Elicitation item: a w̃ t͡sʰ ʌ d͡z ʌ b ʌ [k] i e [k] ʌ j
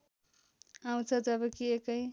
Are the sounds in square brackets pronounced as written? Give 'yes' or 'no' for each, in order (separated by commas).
yes, yes